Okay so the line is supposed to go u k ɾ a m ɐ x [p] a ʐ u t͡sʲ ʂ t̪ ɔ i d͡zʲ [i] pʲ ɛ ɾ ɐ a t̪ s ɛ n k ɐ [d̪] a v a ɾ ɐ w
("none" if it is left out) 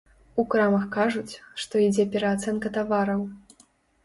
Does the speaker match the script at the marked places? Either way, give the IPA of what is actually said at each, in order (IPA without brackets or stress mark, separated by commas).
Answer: k, ɛ, t̪